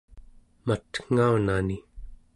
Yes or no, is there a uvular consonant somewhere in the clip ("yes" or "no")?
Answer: no